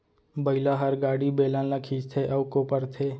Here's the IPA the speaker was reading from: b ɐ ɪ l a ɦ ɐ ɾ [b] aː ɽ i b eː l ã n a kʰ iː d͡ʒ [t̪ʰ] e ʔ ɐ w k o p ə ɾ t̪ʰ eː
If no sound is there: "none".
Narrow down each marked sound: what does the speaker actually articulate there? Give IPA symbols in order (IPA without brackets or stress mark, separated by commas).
ɡ, t̪ʰ